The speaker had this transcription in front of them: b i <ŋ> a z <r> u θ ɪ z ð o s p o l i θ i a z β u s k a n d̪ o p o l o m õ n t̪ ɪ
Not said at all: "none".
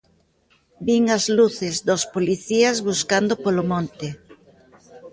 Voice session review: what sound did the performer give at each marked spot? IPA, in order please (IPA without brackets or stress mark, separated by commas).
ŋ, l